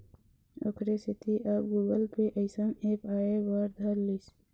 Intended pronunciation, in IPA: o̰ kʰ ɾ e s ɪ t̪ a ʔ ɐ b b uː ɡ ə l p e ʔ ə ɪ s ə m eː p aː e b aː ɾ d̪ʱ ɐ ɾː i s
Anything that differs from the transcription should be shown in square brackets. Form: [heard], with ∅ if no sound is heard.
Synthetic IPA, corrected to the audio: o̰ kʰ ɾ e s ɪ t̪ [i] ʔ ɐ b [ɡ] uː ɡ ə l p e ʔ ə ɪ s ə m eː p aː e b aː ɾ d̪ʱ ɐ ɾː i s